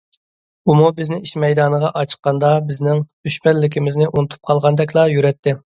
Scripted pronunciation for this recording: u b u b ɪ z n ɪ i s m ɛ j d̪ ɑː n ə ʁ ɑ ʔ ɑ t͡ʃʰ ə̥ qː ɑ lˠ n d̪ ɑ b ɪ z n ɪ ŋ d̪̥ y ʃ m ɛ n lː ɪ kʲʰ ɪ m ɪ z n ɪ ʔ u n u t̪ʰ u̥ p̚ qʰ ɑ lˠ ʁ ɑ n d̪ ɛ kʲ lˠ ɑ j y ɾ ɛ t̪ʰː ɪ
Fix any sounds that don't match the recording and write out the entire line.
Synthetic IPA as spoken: u m u b ɪ z n ɪ i ʃ m ɛ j d̪ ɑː n ə ʁ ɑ ʔ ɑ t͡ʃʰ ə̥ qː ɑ n d̪ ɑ b ɪ z n ɪ ŋ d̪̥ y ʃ m ɛ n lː ɪ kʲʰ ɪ m ɪ z n ɪ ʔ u n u t̪ʰ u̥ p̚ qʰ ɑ lˠ ʁ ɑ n d̪ ɛ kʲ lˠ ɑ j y ɾ ɛ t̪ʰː ɪ